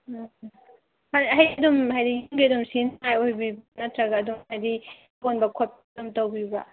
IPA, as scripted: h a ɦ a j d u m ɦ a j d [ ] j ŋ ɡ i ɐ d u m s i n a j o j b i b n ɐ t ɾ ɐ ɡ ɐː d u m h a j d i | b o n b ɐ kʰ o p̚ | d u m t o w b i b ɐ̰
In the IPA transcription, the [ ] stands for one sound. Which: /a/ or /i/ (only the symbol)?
i